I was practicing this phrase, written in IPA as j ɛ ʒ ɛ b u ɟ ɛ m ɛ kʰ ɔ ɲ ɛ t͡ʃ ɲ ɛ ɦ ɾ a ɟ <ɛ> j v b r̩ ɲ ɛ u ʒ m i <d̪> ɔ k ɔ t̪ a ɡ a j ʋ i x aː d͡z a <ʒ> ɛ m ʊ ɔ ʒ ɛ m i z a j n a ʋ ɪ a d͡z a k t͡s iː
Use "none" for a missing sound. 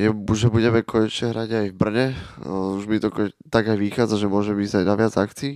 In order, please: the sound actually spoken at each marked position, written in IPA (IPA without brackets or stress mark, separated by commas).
a, t̪, ʒ